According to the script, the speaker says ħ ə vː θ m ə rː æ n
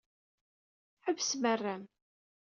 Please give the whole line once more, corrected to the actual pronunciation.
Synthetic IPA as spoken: ħ ə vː s m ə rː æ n